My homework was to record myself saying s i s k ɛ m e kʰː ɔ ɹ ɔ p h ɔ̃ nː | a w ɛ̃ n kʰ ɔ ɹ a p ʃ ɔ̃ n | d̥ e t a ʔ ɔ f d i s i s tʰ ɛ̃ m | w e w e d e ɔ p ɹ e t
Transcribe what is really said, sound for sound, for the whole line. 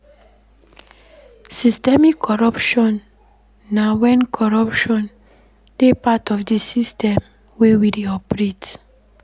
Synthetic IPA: s i s t ɛ m i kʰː ɔ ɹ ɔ p ʃ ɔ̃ nː | a w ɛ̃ n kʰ ɔ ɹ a p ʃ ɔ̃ n | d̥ e p a t ɔ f d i s i s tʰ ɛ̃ m | w e w i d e ɔ p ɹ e t